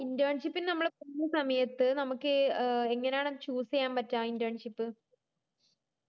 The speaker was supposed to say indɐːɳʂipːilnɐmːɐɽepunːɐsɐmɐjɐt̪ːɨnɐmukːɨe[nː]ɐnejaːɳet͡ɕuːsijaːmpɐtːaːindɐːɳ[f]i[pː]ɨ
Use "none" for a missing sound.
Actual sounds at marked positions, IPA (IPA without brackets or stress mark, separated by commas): ŋː, ʂ, pː